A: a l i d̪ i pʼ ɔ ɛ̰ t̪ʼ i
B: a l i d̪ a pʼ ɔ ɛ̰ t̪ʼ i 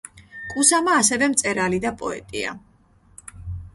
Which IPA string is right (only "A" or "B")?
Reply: B